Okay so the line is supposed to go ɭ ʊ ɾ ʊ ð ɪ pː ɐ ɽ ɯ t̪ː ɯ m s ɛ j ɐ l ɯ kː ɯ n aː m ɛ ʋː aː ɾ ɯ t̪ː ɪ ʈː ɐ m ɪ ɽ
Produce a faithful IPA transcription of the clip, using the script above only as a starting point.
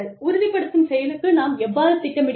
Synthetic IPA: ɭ ʊ ɾ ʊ ð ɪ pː ɐ ɽ ɯ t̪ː ɯ m s ɛ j ɐ l ɯ kː ɯ n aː m ɛ ʋː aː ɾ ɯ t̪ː ɪ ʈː ɐ m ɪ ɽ